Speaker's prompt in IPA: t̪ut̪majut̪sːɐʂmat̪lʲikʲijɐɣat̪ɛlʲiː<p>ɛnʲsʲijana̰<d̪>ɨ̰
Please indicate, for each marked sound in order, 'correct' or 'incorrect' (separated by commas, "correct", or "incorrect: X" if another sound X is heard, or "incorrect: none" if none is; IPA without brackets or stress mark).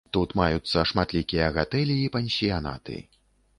correct, incorrect: t̪